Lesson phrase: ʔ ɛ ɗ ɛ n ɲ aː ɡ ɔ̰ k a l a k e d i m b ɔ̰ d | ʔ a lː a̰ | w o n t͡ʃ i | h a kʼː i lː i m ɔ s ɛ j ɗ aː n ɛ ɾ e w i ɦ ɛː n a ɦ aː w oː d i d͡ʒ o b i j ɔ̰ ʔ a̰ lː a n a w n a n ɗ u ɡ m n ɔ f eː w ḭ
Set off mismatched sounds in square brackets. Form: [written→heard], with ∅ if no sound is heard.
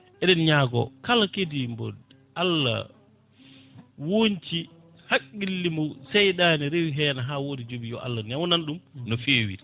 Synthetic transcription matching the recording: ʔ ɛ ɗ ɛ n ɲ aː ɡ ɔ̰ k a l a k e d i m b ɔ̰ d | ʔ a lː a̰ | w o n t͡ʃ i | h a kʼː i lː i m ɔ s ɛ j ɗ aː n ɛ ɾ e w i ɦ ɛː n a ɦ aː w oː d i d͡ʒ o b i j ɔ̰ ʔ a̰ lː a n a w n a n ɗ u [ɡ→∅] m n ɔ f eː w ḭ